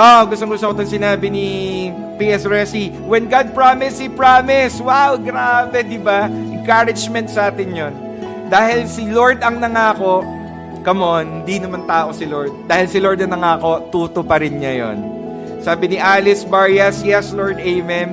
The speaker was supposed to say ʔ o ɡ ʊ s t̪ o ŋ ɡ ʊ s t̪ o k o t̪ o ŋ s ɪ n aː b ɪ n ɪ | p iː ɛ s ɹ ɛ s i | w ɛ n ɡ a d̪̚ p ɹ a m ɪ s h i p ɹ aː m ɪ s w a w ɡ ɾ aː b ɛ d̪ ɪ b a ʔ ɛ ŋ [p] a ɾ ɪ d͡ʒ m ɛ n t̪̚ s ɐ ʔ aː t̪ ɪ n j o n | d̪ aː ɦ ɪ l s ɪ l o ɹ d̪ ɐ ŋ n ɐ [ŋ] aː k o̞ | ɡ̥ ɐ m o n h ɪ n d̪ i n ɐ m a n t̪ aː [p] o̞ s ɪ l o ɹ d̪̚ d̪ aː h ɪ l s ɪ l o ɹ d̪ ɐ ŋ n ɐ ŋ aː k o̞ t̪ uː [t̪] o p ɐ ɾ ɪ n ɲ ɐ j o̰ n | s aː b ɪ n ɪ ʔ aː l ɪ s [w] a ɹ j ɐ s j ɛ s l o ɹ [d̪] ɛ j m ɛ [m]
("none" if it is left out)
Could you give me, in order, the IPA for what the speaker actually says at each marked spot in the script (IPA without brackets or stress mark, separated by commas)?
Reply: k, ŋ, ʔ, t̪, b, d̪, m